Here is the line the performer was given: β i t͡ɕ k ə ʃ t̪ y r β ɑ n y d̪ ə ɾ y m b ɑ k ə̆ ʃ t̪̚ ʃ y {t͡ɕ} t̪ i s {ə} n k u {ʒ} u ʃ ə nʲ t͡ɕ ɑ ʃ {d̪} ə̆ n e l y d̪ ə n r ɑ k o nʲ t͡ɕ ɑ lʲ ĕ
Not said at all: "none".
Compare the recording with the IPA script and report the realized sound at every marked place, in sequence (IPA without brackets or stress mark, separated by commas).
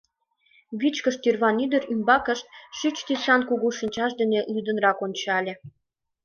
t͡ɕ, ɑ, ɣ, d̪